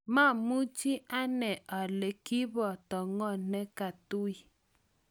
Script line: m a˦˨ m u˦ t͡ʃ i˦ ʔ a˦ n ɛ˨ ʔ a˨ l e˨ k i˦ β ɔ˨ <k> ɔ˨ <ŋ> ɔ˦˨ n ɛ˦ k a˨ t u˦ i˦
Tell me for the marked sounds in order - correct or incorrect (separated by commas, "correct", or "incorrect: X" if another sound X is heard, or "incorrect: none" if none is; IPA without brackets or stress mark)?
incorrect: t, correct